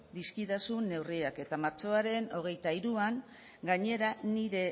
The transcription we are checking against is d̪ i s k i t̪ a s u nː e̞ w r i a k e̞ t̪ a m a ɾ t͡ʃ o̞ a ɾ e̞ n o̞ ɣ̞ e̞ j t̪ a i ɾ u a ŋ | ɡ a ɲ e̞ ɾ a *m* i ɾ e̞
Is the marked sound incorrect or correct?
incorrect